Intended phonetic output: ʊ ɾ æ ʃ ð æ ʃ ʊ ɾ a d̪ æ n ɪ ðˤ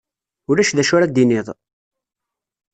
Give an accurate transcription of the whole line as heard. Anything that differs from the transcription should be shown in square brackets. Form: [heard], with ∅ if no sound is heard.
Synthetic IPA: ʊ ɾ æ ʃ ð æ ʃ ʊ ɾ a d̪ [i] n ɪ ðˤ